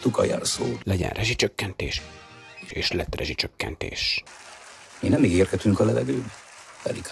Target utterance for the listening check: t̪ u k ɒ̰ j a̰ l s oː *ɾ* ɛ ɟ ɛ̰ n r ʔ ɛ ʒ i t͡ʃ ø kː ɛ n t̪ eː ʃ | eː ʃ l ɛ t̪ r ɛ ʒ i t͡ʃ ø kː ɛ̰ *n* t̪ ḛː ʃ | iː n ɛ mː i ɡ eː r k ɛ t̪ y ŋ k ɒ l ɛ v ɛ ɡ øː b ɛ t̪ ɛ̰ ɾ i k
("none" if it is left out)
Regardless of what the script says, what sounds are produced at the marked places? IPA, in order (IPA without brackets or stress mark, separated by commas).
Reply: l, n